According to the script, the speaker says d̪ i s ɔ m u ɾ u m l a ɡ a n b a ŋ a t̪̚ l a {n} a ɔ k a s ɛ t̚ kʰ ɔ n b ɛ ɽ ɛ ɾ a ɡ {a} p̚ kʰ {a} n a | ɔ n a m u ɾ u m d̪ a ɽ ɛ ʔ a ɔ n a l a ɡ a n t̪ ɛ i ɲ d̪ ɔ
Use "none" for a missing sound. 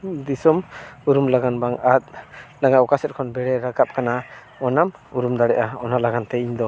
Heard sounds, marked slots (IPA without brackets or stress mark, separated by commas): ŋ, a, a